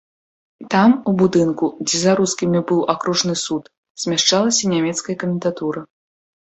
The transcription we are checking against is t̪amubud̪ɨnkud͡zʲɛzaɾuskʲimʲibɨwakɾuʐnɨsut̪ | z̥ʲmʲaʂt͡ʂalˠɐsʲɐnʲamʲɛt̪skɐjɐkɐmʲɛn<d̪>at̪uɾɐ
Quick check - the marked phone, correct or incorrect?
incorrect